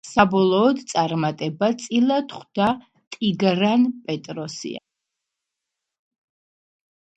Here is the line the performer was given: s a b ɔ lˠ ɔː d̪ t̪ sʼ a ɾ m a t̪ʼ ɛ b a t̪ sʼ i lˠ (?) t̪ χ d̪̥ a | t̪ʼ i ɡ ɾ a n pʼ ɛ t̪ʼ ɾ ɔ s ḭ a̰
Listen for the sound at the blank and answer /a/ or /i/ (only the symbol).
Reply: a